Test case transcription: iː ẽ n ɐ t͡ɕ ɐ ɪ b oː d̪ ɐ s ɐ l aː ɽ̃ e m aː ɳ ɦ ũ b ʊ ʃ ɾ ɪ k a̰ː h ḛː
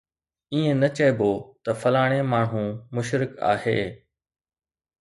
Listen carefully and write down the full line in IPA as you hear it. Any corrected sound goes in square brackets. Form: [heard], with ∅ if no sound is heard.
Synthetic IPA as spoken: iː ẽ n ɐ t͡ɕ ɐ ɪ b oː [t̪] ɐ [f] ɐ l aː ɽ̃ e m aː ɳ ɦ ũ [m] ʊ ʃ ɾ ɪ k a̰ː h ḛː